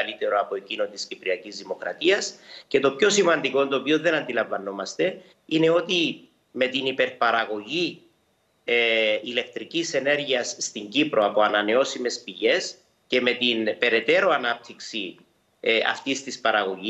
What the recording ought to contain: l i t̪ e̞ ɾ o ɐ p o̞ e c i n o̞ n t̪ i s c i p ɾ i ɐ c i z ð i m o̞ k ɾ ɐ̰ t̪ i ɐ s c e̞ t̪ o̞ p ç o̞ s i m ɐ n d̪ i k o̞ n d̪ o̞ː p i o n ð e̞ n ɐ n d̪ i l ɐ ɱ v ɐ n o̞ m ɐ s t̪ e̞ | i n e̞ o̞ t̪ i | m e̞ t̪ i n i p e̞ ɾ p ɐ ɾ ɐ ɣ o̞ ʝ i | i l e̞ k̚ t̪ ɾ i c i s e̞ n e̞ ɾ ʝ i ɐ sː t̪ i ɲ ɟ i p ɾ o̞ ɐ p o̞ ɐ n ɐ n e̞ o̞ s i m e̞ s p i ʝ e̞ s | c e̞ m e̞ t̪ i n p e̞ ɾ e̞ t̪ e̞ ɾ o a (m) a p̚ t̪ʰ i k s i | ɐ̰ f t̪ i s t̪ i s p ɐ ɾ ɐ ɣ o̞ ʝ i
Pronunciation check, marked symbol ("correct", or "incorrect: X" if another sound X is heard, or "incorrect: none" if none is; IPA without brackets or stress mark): incorrect: n